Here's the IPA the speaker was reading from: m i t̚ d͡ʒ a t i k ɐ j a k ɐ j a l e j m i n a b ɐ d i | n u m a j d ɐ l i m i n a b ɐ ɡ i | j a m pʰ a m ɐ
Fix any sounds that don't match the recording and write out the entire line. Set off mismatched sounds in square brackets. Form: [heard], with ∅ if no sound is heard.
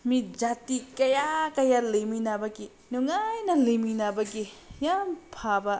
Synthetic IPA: m i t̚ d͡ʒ a t i k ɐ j a k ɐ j a l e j m i n a b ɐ [ɡ] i | n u [ŋ] a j [n] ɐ l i m i n a b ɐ ɡ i | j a m pʰ a [b] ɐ